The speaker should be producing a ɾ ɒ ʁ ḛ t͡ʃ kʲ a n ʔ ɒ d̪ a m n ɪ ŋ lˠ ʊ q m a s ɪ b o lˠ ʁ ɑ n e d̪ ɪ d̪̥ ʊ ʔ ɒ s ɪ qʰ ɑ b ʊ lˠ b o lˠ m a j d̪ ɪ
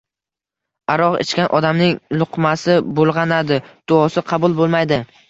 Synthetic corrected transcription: a ɾ ɒ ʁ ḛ t͡ʃ kʲ a n ʔ ɒ d̪ a m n ɪ ŋ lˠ ʊ q m a s ɪ b o lˠ ʁ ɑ n a d̪ ɪ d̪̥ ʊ ɒ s ɪ qʰ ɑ b ʊ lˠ b o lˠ m a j d̪ ɪ